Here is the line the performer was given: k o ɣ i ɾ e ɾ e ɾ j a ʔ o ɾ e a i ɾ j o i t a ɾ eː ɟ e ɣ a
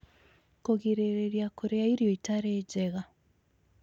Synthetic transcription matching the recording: k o ɣ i ɾ e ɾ e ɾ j a k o ɾ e a i ɾ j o i t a ɾ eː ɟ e ɣ a